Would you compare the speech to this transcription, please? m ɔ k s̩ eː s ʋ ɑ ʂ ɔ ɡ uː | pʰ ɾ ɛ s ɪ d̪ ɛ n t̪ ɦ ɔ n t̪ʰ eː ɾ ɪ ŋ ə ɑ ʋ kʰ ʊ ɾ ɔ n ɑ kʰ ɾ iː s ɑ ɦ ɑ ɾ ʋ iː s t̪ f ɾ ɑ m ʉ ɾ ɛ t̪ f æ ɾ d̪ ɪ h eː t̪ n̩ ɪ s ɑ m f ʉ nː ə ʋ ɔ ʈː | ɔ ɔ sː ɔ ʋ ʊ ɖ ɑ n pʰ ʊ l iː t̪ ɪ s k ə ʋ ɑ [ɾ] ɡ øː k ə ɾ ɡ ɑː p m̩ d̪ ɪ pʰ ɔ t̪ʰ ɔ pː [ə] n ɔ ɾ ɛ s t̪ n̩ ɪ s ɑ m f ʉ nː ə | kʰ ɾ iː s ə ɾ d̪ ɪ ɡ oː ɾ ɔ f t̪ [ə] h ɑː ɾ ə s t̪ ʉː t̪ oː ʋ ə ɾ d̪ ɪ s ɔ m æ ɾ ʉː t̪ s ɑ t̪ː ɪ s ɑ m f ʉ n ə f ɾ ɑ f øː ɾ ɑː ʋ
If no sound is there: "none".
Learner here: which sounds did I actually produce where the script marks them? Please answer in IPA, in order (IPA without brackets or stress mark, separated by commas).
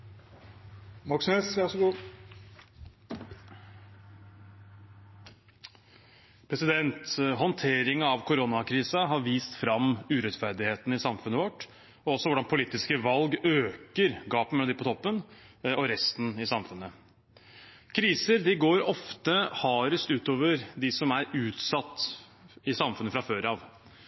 l, ə, ə